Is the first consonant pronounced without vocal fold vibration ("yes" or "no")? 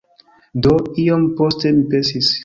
no